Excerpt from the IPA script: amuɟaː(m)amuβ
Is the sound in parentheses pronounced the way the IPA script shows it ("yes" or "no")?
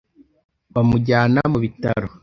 no